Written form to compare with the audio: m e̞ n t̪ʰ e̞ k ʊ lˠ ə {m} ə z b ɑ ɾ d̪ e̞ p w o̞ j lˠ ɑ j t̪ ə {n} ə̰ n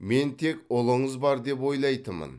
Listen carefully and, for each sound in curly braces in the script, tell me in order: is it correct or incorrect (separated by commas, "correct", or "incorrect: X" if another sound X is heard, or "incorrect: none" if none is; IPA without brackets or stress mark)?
incorrect: ɴ, incorrect: m